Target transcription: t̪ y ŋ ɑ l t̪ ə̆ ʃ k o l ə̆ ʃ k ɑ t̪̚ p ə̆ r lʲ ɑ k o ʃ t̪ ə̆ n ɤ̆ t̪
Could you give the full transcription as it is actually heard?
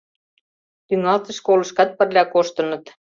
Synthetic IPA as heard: t̪ y ŋ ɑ l t̪ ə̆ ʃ k o l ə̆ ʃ k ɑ t̪̚ p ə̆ r lʲ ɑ k o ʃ t̪ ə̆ n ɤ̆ t̪